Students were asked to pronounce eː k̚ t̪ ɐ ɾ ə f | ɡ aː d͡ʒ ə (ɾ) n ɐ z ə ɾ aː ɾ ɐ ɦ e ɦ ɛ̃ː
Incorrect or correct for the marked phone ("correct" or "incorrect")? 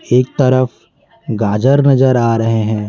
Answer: correct